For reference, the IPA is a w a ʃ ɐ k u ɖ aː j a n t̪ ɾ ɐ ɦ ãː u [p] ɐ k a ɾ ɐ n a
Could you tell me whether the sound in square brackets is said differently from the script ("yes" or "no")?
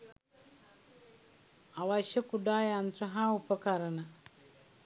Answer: no